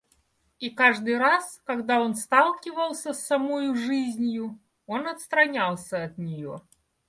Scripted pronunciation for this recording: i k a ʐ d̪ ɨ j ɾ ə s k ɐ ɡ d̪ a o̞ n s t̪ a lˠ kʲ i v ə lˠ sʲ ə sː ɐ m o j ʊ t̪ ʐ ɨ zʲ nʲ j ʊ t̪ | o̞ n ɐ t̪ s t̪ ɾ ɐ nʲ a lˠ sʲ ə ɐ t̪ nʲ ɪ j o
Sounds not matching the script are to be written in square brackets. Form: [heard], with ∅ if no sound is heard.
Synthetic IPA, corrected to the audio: i k a ʐ d̪ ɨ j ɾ [a] s k ɐ ɡ d̪ a o̞ n s t̪ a lˠ kʲ [ɪ] v ə lˠ sʲ ə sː ɐ m o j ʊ [∅] ʐ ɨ zʲ nʲ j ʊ [∅] | o̞ n ɐ t̪ s t̪ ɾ ɐ nʲ a lˠ sʲ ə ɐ t̪ nʲ ɪ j o